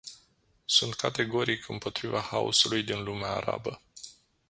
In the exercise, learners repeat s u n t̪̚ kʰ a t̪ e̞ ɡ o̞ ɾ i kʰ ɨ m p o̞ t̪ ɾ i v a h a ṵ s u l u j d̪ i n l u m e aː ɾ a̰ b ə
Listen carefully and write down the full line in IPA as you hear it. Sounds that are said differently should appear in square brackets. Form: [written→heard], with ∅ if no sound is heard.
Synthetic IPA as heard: s u n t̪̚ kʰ a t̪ e̞ ɡ o̞ ɾ i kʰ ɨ m p o̞ t̪ ɾ i v a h a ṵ s u l u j d̪ i n l u m e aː ɾ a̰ b ə